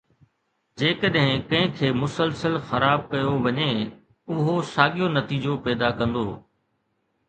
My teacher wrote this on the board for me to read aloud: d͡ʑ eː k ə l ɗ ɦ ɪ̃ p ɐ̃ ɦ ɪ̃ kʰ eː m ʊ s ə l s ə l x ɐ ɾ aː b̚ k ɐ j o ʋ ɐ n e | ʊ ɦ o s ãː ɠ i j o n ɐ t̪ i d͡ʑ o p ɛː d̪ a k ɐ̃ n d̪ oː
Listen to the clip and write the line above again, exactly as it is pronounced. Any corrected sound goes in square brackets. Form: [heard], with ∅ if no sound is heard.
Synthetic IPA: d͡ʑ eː k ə [∅] ɗ ɦ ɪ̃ [k] ɐ̃ ɦ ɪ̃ kʰ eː m ʊ s ə l s ə l x ɐ ɾ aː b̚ k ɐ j o ʋ ɐ [ɲ] e | ʊ ɦ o s [aː] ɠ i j o n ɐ t̪ [iː] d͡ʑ o p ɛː d̪ a k ɐ̃ n d̪ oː